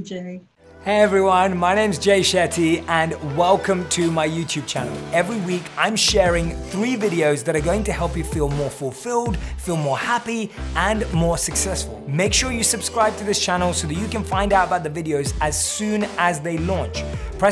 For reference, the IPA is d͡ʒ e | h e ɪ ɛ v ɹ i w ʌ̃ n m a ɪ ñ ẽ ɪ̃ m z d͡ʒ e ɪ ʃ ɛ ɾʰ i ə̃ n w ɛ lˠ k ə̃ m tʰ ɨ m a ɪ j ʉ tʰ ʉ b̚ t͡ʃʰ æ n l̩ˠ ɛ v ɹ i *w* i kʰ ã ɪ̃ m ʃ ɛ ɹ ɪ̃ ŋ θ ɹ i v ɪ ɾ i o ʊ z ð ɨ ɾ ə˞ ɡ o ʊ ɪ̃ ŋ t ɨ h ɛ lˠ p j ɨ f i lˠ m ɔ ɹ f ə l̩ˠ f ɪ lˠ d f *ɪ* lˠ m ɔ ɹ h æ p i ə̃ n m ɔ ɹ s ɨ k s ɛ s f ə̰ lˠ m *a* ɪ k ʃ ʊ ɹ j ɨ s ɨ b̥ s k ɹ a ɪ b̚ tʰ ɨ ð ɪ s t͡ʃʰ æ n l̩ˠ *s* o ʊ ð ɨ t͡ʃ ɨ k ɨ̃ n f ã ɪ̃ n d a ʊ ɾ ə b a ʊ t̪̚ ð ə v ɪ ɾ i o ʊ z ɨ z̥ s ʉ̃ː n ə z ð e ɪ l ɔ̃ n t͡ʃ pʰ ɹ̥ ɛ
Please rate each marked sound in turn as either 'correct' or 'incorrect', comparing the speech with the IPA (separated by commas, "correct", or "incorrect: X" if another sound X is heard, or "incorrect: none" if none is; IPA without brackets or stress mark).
correct, incorrect: i, incorrect: e, correct